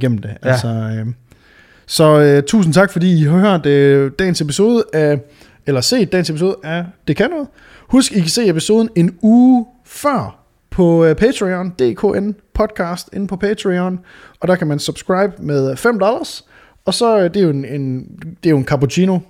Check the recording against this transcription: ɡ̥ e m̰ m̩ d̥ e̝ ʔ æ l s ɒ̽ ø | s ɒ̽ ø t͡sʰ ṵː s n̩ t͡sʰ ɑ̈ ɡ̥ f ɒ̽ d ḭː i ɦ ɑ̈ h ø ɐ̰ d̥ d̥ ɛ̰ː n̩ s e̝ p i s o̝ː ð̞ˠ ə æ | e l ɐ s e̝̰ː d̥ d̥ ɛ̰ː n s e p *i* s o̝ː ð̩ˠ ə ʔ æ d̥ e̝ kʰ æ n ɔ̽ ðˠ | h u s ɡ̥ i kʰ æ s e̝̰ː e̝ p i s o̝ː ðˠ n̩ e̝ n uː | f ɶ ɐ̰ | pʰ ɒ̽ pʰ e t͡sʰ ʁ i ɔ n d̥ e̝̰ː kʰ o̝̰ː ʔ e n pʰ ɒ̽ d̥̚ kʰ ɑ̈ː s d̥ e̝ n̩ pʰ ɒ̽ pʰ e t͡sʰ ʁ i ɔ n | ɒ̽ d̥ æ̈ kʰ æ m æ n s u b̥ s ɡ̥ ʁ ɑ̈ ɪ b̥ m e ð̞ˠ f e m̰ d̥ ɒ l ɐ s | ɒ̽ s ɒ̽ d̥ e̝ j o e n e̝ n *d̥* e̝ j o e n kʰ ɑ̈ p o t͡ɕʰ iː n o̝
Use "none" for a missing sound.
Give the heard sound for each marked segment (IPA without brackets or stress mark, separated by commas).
i, d̥